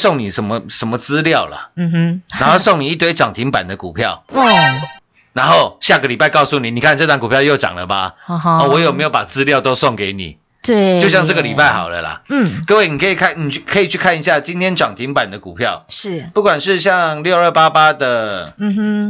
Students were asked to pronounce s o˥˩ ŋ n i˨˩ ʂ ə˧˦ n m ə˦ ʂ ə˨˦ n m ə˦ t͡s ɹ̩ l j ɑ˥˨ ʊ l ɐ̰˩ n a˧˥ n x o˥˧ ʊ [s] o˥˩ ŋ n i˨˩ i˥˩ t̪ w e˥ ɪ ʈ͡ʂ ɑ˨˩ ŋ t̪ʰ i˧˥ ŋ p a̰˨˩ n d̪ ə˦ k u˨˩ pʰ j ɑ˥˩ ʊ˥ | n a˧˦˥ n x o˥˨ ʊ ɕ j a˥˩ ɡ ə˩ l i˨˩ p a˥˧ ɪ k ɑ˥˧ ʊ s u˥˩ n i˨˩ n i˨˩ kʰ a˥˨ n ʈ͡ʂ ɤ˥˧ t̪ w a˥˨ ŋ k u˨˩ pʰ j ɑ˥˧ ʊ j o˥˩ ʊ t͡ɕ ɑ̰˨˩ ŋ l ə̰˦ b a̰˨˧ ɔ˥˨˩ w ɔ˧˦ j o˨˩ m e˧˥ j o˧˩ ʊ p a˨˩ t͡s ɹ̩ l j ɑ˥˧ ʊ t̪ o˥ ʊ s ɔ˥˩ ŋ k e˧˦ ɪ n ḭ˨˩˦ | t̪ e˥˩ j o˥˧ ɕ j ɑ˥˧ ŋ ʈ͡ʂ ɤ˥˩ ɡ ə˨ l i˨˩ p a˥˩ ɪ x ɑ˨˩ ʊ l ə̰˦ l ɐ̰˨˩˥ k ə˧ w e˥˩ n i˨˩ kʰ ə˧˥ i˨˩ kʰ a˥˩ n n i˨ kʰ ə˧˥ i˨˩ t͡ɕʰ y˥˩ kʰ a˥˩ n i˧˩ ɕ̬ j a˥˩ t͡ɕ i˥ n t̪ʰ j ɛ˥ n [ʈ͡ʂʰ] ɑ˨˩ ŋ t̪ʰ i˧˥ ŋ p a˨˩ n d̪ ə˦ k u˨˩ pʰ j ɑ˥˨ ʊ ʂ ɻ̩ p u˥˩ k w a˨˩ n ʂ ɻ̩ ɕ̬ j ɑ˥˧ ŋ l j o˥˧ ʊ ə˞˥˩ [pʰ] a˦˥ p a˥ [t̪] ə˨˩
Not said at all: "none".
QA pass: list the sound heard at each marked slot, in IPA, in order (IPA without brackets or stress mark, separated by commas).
s, ʈ͡ʂ, p, d̪